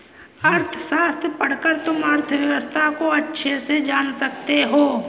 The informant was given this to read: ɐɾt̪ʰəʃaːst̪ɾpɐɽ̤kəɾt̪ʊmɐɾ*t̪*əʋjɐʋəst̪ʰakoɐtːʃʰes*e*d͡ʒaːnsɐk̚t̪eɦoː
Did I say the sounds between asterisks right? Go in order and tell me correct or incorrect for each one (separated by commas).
incorrect, correct